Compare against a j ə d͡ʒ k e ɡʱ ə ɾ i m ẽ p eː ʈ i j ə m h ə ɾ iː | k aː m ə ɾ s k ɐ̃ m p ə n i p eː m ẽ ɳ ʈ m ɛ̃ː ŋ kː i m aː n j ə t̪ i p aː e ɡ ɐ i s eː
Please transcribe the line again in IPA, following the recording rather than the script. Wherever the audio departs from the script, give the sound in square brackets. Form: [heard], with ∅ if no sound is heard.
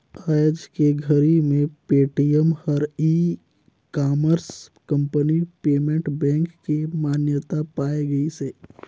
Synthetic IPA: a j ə d͡ʒ k e ɡʱ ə ɾ i m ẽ p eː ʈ i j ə m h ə ɾ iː | k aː m ə ɾ s k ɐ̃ m p ə n i p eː m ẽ ɳ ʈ [b] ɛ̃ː ŋ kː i m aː n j ə t̪ [a] p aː e ɡ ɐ i s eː